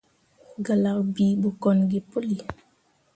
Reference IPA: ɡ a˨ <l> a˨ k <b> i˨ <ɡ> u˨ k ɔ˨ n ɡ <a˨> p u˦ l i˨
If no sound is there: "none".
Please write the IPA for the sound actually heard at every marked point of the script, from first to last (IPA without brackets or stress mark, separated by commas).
l, b, b, i˨